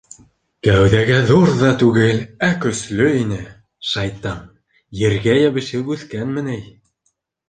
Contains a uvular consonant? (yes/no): no